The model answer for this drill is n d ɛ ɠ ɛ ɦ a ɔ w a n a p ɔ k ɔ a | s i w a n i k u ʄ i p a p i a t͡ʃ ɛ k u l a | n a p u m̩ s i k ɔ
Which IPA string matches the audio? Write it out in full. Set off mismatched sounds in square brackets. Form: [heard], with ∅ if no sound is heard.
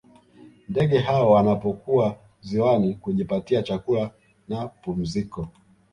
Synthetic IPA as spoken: n d ɛ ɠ ɛ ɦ a ɔ w a n a p ɔ k [u] a | [z] i w a n i k u ʄ i p a [t] i a t͡ʃ [a] k u l a | n a p u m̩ [z] i k ɔ

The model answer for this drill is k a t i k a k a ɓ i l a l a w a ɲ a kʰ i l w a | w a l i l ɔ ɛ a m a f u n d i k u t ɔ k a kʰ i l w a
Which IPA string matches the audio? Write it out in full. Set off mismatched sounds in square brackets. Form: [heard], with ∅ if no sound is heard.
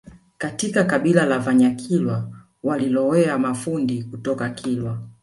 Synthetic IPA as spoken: k a t i k a k a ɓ i l a l a [v] a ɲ a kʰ i l w a | w a l i l ɔ ɛ a m a f u n d i k u t ɔ k a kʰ i l w a

